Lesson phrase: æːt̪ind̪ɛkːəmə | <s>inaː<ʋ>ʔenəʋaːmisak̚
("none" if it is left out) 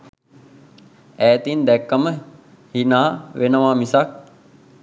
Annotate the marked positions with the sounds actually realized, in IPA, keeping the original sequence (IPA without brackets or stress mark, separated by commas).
h, ʋ